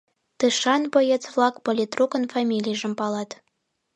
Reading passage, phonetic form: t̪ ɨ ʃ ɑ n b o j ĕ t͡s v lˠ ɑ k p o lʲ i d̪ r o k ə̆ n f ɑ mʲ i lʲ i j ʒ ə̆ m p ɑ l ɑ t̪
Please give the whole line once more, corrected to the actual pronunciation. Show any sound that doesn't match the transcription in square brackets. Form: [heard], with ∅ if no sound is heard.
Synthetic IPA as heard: t̪ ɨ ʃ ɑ n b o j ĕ t͡s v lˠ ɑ k p o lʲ i [t̪] r [u] k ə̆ n f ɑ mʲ i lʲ i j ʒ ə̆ m p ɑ l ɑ t̪